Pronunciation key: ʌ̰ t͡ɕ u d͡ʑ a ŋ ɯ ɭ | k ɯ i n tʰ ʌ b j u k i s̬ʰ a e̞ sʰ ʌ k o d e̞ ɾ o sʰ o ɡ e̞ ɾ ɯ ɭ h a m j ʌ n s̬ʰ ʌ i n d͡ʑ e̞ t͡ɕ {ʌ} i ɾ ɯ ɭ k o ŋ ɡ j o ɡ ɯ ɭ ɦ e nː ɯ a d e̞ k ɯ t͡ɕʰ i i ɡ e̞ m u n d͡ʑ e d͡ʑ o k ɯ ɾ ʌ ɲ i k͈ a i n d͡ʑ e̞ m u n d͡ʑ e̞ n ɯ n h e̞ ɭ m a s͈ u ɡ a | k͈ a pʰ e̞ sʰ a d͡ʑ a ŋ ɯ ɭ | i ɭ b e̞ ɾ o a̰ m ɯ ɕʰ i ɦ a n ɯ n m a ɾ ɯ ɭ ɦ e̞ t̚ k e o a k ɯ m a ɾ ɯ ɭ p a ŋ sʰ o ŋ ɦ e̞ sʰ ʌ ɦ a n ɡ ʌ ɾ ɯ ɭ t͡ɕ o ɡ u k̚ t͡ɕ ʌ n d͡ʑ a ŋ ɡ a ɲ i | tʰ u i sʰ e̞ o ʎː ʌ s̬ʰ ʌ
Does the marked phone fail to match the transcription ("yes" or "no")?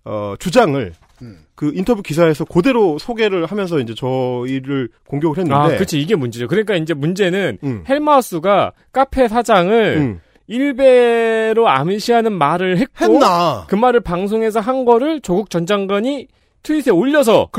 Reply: no